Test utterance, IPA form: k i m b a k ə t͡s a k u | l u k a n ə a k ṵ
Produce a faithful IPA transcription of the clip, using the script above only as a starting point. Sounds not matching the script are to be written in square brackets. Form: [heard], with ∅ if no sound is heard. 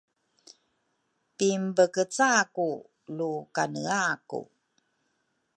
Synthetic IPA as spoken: [p] i m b [ə] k ə t͡s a k u | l u k a n ə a k ṵ